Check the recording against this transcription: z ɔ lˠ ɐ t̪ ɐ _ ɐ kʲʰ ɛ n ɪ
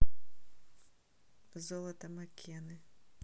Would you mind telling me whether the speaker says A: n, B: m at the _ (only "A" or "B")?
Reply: B